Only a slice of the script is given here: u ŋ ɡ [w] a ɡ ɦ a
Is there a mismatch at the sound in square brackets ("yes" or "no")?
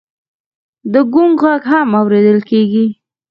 yes